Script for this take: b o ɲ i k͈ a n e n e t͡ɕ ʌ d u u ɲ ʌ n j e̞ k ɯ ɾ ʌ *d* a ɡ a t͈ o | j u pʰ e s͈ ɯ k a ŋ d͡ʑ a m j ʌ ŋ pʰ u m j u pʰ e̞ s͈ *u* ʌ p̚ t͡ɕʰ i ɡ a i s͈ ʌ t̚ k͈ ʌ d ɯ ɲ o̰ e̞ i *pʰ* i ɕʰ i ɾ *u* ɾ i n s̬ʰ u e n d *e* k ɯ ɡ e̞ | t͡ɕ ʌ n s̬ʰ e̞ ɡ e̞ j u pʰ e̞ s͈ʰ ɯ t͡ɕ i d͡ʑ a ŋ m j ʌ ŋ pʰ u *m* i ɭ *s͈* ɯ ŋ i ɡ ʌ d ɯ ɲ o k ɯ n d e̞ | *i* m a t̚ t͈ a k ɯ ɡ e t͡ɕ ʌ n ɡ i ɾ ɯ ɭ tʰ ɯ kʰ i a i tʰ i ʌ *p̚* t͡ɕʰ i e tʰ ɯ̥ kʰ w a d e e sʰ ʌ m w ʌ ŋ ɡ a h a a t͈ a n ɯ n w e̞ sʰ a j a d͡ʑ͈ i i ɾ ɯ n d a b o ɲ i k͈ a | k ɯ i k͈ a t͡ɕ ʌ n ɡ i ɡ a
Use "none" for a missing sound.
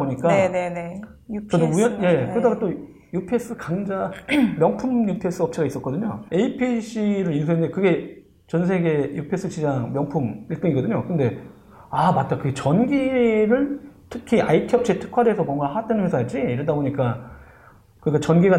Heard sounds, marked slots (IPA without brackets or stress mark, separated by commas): d, ɯ, pʰ, ɯ, e, m, t͈, a, p̚